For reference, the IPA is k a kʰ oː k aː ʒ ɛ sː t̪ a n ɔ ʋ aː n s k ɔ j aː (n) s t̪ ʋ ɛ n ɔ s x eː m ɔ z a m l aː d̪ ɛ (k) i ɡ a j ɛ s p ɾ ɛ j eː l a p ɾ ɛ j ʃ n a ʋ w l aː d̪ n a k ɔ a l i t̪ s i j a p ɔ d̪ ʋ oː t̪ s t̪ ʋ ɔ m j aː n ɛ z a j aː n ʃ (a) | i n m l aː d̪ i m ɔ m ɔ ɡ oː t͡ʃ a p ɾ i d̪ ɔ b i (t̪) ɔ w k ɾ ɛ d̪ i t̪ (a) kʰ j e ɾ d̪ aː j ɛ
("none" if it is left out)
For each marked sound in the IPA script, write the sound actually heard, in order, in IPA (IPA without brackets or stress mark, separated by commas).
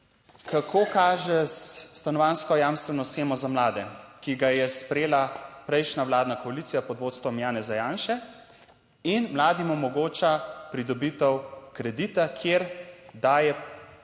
m, k, ɛ, t̪, a